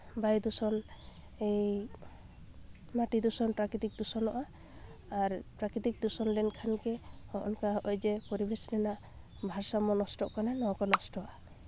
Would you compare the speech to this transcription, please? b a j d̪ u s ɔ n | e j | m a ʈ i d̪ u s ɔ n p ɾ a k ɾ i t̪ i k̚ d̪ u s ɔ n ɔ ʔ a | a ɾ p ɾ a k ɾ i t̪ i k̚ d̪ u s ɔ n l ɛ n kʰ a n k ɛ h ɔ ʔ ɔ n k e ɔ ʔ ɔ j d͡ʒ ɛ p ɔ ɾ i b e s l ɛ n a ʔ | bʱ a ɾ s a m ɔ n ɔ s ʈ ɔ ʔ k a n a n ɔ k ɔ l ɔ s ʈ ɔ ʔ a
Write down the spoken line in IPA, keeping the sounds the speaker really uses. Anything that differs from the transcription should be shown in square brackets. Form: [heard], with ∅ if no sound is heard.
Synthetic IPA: b a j d̪ u s ɔ n | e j | m a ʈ i d̪ u s ɔ n p ɾ a k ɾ i t̪ i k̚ d̪ u s ɔ n ɔ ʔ a | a ɾ p ɾ a k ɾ i t̪ i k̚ d̪ u s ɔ n l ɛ n kʰ a n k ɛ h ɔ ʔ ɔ n k [a] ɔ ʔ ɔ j d͡ʒ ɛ p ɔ ɾ i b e s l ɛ n a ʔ | bʱ a ɾ s a m ɔ n ɔ s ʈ ɔ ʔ k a n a n ɔ k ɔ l ɔ s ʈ ɔ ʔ a